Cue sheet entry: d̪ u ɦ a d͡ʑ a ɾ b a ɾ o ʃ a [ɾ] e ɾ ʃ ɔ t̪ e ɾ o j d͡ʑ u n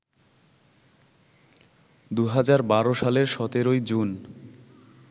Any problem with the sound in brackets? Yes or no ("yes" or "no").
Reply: yes